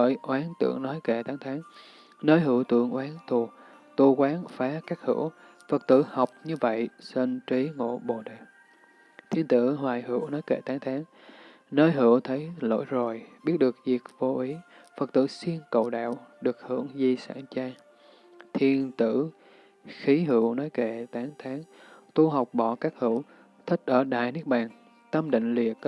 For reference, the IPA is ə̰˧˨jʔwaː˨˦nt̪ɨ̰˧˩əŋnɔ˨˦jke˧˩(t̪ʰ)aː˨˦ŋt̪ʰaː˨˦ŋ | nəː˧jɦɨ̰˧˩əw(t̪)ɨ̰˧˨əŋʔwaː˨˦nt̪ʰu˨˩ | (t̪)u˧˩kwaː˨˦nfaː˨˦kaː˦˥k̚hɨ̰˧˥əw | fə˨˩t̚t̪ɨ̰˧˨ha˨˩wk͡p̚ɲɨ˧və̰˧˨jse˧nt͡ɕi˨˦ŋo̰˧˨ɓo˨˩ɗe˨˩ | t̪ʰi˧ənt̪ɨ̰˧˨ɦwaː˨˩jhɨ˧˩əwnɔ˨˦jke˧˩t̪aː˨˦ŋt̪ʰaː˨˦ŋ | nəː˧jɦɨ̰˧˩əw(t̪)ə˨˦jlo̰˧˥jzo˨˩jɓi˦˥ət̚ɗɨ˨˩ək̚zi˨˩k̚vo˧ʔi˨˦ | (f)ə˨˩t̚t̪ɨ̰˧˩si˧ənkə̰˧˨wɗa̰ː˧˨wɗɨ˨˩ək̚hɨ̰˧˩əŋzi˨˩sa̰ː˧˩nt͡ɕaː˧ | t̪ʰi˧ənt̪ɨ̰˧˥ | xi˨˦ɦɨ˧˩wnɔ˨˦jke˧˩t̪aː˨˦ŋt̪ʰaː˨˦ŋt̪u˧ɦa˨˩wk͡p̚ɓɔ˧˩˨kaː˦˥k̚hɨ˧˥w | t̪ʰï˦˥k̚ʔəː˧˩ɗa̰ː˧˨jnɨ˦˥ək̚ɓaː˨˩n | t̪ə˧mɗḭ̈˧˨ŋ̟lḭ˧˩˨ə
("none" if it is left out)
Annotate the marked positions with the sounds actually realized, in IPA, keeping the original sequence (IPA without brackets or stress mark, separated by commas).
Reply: t̪, t̪, t̪, t̪ʰ, f